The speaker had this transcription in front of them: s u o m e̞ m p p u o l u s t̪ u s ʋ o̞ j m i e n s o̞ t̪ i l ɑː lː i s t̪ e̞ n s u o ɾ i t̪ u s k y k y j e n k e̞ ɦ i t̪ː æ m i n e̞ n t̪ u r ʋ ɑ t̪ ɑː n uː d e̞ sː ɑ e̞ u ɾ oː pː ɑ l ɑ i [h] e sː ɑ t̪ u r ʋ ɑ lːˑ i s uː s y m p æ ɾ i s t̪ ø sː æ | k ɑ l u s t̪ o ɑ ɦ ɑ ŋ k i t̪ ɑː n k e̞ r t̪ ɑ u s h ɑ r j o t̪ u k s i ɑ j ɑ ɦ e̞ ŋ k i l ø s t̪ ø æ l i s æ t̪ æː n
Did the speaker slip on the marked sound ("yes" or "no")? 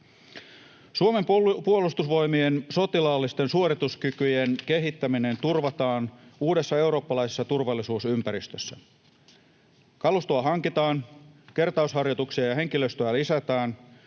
yes